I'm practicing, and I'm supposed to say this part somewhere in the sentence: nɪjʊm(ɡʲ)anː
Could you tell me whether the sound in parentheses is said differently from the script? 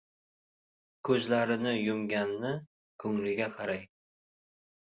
no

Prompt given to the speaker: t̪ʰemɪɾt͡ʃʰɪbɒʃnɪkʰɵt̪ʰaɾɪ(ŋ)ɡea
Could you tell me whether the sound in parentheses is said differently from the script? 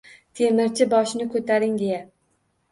no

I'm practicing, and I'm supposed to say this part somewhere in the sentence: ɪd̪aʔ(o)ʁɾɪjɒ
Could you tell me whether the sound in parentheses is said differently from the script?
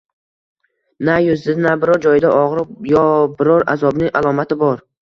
yes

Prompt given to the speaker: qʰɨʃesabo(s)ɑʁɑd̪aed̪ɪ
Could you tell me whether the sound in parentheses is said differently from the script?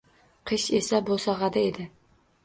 no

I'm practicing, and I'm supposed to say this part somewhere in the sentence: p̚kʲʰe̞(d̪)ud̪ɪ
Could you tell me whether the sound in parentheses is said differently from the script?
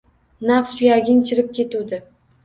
yes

